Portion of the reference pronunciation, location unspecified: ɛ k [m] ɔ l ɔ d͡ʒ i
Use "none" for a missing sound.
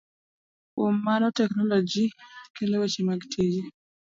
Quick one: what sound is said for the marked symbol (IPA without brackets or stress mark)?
n